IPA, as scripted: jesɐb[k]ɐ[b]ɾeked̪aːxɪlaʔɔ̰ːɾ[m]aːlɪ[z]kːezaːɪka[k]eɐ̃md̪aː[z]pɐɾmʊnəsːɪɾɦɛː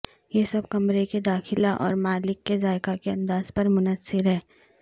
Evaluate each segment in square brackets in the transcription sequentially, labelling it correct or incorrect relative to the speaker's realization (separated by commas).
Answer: correct, incorrect, correct, incorrect, correct, correct